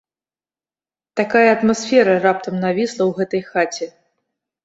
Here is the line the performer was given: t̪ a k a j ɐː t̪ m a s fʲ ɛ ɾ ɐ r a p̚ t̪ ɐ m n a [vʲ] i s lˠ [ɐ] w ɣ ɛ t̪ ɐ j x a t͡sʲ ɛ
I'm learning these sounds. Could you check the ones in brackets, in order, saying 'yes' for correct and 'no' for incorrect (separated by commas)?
yes, yes